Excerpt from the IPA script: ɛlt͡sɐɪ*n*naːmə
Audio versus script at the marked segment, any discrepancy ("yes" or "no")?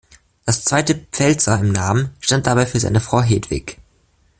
yes